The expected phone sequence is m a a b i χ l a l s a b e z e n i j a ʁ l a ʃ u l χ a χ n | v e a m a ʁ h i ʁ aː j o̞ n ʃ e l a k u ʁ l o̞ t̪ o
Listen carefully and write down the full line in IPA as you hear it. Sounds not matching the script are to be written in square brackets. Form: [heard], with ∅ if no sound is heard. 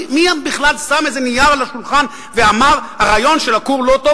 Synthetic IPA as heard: m [i] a b i χ l a l s a [m] e z e n i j a ʁ l a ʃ u l χ a [∅] n | v e a m a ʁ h [a] ʁ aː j o̞ n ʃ e l a k u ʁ l o̞ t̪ o